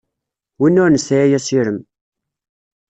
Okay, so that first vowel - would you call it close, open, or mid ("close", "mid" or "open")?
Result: close